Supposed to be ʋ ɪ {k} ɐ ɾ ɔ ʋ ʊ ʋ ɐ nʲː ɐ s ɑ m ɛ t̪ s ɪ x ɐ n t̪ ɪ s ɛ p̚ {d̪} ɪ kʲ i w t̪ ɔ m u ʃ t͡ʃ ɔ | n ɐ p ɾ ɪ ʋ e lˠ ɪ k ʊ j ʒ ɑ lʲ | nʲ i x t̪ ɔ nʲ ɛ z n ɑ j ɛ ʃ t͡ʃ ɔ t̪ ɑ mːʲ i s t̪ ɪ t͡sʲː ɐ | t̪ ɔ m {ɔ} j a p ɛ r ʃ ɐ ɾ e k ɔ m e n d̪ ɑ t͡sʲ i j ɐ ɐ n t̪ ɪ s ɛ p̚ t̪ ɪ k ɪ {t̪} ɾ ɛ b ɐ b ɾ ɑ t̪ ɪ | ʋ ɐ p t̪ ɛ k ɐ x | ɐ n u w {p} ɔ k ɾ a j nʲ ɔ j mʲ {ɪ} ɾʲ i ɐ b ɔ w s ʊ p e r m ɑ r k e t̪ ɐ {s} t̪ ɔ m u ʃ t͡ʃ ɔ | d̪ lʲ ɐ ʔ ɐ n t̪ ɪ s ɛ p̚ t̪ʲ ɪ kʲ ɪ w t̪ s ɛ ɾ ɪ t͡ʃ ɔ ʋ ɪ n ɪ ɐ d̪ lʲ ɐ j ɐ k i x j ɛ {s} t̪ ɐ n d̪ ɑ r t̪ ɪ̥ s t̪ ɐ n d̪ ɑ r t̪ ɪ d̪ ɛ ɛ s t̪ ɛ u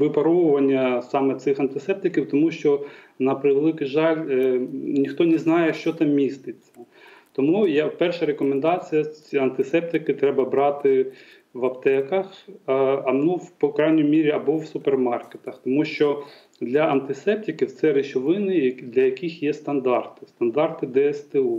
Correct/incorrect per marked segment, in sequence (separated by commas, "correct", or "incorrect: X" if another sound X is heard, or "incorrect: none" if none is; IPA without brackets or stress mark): incorrect: p, incorrect: t̪, incorrect: u, correct, correct, incorrect: i, incorrect: x, correct